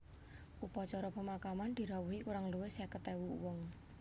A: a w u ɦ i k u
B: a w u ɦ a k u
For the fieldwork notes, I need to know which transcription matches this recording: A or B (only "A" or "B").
A